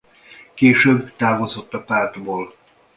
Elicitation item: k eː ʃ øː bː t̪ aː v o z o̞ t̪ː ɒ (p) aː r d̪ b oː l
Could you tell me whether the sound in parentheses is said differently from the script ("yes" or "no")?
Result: no